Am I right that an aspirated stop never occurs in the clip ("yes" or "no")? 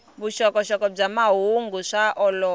yes